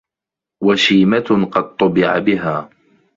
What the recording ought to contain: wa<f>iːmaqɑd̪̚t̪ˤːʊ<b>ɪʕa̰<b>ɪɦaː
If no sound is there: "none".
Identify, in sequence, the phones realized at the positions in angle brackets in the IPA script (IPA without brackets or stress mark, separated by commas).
ʃ, b, b